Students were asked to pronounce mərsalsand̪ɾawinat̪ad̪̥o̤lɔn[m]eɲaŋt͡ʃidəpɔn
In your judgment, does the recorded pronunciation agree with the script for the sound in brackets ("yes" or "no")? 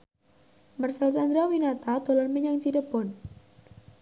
yes